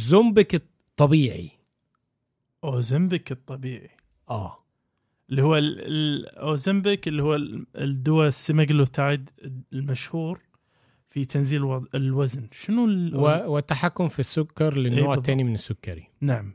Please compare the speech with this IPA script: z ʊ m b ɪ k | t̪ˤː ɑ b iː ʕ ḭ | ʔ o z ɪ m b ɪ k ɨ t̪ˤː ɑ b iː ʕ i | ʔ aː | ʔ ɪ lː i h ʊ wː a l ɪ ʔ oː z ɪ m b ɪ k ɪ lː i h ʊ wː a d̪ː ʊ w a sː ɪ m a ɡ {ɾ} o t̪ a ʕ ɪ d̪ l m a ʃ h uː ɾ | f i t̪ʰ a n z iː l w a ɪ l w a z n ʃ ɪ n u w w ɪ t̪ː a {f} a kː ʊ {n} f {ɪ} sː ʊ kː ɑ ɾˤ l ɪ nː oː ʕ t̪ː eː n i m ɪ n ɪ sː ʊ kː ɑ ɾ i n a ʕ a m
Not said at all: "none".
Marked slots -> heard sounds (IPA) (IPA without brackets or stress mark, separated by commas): l, ħ, m, i